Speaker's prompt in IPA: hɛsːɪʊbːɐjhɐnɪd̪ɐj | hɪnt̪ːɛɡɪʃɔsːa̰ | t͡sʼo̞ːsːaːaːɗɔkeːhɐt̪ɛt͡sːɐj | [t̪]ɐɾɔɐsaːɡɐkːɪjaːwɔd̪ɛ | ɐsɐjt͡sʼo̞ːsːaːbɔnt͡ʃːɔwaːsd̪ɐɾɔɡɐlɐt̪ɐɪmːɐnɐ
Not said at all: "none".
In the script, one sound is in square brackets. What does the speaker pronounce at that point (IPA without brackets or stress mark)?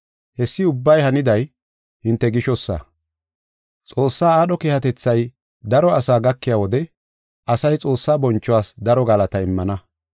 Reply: d̪